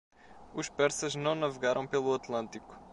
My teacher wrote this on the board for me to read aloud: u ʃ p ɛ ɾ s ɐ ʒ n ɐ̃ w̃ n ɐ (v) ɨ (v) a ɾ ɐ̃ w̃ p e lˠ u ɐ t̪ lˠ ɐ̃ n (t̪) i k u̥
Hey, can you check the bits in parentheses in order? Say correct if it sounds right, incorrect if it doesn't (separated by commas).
correct, incorrect, correct